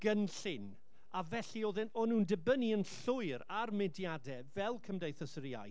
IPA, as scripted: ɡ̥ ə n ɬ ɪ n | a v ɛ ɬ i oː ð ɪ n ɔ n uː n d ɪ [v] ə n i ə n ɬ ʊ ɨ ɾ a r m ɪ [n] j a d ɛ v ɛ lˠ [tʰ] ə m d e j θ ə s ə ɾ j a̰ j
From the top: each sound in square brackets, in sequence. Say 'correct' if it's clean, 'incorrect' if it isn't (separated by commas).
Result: incorrect, incorrect, incorrect